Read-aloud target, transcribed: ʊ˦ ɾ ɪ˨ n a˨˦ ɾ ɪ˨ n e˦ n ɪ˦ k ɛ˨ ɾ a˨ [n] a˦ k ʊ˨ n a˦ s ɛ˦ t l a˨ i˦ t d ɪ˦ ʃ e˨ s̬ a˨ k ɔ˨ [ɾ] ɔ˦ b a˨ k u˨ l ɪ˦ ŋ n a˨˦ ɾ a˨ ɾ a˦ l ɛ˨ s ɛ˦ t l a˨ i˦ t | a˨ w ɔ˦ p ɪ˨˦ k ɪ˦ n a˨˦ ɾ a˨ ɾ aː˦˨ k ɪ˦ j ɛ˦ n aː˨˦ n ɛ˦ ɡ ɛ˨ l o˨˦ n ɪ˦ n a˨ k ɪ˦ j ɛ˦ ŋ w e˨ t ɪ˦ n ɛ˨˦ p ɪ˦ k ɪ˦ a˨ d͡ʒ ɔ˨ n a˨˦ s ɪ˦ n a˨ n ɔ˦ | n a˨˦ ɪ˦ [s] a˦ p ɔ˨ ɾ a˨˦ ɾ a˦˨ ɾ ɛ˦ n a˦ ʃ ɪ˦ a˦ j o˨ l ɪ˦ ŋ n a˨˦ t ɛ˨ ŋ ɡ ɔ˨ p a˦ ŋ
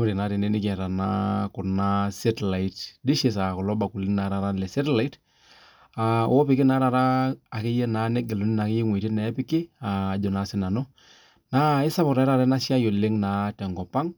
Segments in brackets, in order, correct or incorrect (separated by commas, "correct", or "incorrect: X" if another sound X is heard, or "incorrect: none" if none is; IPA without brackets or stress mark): correct, incorrect: l, correct